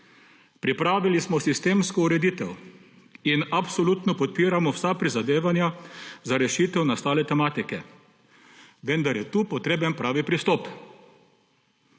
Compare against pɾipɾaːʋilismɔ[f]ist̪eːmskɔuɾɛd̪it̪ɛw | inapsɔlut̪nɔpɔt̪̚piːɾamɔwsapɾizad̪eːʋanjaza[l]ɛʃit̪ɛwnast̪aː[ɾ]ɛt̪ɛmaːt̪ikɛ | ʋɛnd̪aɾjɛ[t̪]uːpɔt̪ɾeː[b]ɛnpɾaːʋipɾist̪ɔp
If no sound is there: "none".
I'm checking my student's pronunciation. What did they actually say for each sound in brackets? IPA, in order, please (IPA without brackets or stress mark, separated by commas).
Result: s, ɾ, l, t̪, b